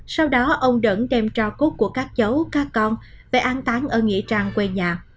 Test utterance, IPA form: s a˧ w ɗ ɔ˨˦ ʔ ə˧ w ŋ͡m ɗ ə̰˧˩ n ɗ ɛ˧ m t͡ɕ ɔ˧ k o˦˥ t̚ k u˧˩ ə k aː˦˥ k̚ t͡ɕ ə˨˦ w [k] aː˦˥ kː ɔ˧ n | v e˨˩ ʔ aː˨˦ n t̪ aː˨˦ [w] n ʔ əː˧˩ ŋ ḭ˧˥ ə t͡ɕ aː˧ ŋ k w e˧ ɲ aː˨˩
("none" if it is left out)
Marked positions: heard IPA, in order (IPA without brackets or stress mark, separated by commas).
k, none